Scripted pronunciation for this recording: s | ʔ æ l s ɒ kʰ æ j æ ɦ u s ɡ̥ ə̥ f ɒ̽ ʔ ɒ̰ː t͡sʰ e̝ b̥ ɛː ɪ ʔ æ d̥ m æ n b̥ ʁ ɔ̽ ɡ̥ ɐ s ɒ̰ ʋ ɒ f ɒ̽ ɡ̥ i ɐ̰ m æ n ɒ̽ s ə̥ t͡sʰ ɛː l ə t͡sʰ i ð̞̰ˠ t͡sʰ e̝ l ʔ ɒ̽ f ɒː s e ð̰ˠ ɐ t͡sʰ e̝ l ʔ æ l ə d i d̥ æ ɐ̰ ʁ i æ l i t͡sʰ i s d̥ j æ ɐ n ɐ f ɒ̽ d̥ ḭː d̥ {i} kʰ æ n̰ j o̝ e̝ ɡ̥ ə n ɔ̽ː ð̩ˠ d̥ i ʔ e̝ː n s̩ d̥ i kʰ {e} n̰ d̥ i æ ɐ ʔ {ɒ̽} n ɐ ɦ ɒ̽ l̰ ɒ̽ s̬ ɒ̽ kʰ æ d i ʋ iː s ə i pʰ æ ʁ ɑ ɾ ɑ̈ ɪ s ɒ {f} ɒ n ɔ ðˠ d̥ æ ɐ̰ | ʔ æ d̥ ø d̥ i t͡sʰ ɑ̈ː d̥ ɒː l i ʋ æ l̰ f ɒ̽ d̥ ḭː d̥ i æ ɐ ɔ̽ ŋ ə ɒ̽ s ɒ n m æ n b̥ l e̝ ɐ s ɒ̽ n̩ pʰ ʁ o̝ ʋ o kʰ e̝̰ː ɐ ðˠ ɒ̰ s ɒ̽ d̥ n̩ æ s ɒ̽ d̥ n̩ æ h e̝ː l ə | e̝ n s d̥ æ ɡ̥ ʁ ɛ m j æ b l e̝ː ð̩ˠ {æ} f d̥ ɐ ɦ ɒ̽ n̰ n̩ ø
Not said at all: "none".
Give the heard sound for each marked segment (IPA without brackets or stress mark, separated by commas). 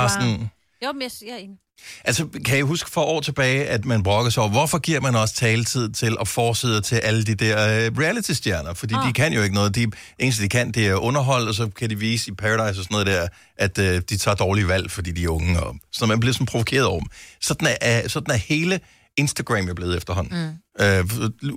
i, æ, ɔ̽, s, e